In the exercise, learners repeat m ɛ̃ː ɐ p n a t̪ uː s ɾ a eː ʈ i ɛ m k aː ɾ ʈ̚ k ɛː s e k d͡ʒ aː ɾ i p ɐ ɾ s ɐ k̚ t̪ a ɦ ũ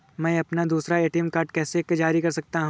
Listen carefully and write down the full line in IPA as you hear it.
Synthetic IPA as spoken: m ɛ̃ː ɐ p n a d̪ uː s ɾ a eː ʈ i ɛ m k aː ɾ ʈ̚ k ɛː s e k d͡ʒ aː ɾ i k ɐ ɾ s ɐ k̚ t̪ a ɦ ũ